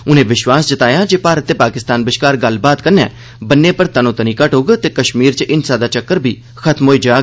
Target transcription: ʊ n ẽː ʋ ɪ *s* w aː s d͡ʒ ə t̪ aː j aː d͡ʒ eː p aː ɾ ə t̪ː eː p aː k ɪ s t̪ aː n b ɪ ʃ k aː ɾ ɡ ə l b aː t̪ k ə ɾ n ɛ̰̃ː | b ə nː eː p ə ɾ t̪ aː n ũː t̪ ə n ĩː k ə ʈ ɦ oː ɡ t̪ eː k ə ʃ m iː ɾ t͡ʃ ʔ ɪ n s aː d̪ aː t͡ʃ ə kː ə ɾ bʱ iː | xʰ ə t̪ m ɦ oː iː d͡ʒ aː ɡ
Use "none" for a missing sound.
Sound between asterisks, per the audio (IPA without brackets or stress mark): ʃ